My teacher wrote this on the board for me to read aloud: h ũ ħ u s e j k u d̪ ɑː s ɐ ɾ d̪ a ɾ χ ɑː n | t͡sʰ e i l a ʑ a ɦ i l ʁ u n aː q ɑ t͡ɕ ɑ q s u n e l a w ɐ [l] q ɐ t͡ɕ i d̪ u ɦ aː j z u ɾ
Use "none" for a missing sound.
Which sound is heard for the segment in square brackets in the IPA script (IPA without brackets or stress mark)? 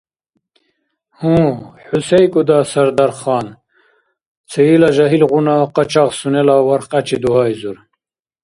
ɾ